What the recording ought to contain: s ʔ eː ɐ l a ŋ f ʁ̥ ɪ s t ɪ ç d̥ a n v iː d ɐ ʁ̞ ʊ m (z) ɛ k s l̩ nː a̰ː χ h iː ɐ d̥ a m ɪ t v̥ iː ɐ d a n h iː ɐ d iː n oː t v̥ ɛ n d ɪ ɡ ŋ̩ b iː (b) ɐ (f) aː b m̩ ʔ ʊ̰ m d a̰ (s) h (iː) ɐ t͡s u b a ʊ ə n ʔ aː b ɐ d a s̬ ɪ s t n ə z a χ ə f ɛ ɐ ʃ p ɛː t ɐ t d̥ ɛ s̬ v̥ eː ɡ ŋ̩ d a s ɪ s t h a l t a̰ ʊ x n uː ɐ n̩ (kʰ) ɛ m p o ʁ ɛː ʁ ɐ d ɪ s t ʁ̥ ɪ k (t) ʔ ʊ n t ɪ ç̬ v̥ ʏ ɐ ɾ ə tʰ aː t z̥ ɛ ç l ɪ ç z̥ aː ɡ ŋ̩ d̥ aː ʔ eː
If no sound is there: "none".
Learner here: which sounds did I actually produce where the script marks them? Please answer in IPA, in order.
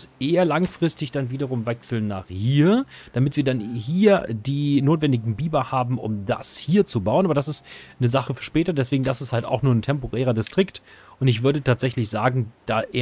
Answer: v, b, h, s, iː, tʰ, t

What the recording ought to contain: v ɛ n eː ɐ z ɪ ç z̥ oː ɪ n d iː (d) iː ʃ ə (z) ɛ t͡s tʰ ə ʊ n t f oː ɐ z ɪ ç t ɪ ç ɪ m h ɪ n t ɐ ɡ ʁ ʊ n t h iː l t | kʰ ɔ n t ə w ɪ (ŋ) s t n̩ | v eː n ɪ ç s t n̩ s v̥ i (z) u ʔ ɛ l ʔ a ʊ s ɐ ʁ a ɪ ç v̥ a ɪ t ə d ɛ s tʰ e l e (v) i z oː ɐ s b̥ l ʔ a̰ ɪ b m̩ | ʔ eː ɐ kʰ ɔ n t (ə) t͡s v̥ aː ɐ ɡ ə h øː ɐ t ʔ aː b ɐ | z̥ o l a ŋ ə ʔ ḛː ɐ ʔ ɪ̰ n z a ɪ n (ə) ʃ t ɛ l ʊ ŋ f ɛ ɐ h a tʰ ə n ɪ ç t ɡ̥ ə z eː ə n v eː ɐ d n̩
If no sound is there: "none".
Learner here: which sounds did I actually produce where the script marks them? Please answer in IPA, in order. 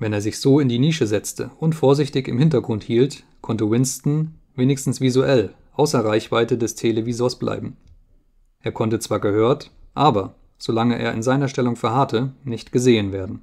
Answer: n, z, n, z, v, ə, ɐ

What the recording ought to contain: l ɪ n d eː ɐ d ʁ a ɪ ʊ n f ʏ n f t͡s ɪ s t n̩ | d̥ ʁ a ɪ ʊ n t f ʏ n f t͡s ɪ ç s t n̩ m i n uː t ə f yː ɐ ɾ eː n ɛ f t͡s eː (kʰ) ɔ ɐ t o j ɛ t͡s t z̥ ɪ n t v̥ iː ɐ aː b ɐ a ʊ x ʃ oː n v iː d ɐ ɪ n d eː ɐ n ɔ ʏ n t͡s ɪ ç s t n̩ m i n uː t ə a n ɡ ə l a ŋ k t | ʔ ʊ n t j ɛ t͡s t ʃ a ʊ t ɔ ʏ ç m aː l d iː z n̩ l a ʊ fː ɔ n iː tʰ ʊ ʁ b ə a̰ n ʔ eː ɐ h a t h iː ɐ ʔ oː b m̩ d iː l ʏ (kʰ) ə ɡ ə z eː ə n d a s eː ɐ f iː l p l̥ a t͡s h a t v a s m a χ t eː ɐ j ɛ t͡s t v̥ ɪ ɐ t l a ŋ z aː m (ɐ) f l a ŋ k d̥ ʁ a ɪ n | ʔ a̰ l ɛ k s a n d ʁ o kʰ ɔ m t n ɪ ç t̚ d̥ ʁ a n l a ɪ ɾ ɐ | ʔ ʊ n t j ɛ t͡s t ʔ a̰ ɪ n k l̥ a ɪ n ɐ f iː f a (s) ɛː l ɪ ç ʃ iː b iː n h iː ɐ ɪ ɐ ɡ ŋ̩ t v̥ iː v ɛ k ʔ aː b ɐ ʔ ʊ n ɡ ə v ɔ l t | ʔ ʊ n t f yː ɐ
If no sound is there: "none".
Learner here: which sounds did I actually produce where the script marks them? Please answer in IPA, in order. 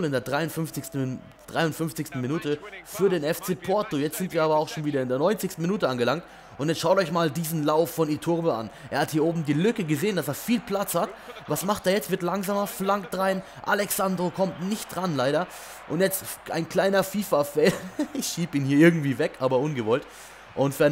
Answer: pʰ, k, ɐ, f

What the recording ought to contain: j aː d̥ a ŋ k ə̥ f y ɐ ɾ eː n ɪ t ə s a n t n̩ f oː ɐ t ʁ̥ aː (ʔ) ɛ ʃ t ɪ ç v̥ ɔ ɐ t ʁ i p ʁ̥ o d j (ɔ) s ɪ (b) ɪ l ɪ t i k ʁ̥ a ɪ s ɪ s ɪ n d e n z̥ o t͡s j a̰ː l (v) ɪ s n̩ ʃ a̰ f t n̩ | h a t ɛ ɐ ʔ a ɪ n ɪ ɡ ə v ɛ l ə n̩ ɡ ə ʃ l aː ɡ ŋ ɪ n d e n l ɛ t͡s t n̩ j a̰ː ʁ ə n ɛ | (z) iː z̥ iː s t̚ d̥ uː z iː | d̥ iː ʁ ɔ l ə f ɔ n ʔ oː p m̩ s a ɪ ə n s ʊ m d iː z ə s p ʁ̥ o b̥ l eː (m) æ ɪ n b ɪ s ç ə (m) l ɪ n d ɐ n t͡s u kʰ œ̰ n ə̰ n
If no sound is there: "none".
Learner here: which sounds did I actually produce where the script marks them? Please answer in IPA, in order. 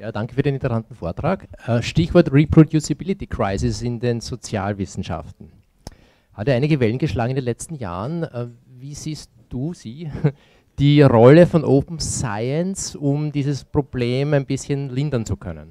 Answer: k, u, b, v, v, m, n

